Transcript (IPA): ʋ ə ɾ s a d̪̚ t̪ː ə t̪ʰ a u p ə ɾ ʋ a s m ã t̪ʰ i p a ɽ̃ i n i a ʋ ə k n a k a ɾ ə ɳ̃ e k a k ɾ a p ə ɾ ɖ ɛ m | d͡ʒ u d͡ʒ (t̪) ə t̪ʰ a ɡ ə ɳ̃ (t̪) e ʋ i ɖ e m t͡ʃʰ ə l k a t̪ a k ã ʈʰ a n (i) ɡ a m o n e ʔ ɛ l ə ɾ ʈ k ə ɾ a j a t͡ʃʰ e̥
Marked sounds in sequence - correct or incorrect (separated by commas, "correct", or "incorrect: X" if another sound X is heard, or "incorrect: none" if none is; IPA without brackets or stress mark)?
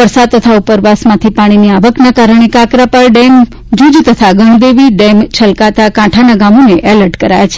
correct, incorrect: d̪, incorrect: a